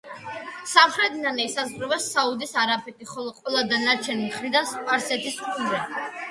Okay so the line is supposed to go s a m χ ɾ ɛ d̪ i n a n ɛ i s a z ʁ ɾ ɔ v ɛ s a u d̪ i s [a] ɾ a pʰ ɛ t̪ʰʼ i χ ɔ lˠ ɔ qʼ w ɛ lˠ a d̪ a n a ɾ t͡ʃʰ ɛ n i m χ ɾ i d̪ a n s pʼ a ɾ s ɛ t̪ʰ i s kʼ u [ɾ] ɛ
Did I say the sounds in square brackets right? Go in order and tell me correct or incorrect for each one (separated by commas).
correct, correct